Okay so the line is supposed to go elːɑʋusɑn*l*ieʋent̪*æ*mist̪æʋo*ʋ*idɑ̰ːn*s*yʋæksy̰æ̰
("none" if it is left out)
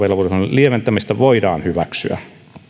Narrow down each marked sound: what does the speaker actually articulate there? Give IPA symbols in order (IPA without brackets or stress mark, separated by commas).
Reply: l, æ, none, h